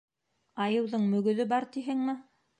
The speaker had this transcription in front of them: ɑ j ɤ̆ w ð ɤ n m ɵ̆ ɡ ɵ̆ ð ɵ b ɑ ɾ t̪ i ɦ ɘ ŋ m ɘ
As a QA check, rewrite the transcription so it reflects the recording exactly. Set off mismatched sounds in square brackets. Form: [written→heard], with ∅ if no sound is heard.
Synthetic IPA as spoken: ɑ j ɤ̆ w ð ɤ [n→ɴ] m ɵ̆ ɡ ɵ̆ ð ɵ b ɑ ɾ t̪ i ɦ ɘ ŋ m ɘ